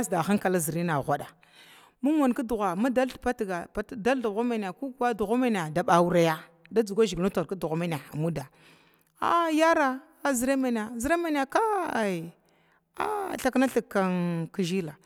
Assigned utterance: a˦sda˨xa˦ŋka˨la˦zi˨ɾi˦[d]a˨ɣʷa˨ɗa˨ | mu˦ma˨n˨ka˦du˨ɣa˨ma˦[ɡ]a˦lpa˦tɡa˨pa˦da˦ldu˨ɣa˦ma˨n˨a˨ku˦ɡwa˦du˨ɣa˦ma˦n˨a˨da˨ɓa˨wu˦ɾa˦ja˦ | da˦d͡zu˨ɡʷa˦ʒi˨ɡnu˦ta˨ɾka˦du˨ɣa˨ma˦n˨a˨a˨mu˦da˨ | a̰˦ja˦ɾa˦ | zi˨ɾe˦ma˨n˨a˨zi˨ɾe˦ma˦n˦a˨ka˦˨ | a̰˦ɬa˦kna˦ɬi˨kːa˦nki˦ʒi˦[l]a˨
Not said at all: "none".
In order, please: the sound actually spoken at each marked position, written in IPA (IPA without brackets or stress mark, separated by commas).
n, d, l